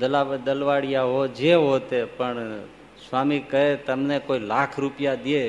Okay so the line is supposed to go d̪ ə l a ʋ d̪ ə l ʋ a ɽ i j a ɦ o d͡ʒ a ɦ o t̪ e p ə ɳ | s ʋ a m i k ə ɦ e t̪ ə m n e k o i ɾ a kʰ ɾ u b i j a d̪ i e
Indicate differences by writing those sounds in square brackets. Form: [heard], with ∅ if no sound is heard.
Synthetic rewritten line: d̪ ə l a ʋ d̪ ə l ʋ a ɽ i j a ɦ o d͡ʒ [e] ɦ o t̪ e p ə ɳ | s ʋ a m i k ə ɦ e t̪ ə m n e k o i [l] a kʰ ɾ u [p] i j a d̪ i e